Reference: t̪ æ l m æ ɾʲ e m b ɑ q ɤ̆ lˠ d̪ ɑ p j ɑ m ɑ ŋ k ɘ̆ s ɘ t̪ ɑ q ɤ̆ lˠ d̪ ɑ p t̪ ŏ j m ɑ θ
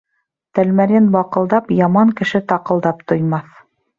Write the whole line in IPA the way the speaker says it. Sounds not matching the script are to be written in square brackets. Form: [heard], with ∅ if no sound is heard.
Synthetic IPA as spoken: t̪ æ l m æ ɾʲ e [n] b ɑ q ɤ̆ lˠ d̪ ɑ p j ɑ m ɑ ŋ k ɘ̆ [ʃ] ɘ t̪ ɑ q ɤ̆ lˠ d̪ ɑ p t̪ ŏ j m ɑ θ